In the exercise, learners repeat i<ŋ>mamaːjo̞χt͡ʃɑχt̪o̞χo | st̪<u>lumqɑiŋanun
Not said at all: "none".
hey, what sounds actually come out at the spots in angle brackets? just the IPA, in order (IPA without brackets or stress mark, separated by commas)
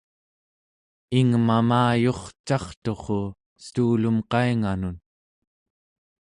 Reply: ŋ, uː